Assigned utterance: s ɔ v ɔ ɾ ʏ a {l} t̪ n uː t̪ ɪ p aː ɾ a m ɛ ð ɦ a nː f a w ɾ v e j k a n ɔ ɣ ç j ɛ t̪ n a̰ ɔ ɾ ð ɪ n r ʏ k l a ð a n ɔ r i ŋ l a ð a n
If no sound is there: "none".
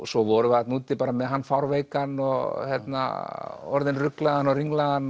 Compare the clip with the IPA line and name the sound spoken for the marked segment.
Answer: none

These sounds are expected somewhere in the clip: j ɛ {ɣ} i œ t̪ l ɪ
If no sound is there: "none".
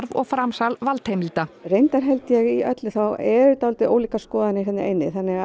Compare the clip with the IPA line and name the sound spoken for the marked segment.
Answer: ɣ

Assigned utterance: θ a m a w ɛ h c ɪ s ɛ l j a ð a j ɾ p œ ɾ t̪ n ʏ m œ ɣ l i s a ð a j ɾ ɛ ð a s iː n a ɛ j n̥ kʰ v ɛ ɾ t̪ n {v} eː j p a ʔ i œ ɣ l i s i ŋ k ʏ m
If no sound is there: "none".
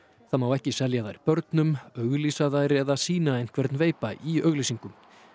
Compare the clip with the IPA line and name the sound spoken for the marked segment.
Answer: v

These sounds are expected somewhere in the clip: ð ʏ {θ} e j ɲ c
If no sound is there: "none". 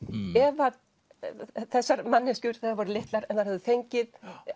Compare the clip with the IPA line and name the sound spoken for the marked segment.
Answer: θ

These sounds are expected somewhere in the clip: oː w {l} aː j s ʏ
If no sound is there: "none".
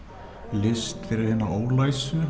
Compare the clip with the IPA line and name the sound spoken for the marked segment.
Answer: l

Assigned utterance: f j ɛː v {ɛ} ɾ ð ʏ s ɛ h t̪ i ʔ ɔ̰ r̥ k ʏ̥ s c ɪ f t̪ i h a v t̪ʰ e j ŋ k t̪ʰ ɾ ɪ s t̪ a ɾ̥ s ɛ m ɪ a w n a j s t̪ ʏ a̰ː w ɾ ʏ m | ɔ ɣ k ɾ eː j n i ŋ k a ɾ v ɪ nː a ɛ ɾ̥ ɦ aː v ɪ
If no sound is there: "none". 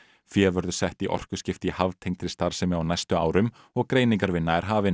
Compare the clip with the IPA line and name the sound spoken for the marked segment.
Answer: œ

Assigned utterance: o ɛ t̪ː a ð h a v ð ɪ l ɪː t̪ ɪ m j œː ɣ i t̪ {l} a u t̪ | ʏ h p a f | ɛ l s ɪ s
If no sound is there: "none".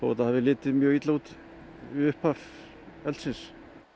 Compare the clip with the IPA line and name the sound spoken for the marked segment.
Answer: l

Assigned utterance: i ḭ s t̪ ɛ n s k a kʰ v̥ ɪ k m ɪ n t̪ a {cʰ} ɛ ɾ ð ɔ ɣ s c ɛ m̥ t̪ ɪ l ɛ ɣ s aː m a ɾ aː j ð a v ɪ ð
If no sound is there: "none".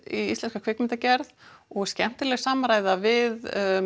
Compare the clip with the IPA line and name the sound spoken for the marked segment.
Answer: c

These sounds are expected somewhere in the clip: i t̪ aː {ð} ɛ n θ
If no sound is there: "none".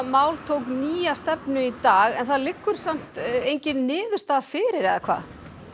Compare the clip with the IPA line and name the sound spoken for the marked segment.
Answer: ɣ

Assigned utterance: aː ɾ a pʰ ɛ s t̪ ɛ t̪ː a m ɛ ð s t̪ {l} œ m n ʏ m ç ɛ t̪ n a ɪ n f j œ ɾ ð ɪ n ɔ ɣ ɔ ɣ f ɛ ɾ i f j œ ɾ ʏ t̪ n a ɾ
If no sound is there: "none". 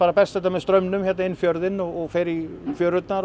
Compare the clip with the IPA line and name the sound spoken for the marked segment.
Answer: ɾ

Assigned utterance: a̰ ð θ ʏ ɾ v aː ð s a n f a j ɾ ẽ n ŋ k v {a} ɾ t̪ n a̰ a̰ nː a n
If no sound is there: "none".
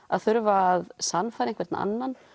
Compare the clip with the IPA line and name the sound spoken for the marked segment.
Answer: ɛ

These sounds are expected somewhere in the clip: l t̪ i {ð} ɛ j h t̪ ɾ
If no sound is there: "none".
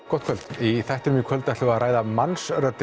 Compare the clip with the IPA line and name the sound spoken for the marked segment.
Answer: θ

